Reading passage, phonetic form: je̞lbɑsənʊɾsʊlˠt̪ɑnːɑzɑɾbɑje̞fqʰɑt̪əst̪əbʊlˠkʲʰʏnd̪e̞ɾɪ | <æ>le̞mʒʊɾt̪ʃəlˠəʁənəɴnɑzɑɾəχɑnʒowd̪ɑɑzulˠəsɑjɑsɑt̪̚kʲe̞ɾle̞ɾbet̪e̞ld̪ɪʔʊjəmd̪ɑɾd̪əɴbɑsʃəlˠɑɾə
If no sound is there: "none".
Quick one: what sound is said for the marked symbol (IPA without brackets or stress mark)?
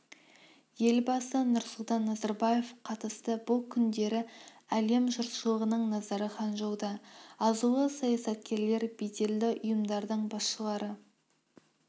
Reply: æ